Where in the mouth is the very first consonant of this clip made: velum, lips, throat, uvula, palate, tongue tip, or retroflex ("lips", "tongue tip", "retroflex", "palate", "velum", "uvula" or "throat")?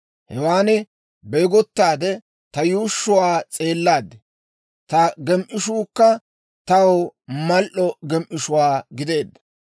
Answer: throat